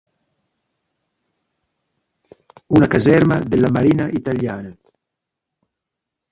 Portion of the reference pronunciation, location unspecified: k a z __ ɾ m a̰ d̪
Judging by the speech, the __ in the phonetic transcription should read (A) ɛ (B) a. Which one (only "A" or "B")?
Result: A